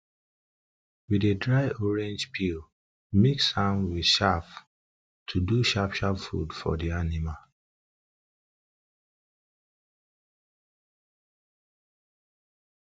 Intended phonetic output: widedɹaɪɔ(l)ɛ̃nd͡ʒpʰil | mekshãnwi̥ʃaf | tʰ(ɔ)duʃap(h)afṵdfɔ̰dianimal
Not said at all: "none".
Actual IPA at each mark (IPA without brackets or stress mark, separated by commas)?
ɹ, u, ʃ